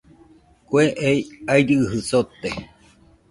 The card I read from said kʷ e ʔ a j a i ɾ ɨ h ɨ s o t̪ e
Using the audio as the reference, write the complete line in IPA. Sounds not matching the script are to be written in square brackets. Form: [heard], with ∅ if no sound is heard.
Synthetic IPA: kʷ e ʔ [e] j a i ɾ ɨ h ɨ s o t̪ e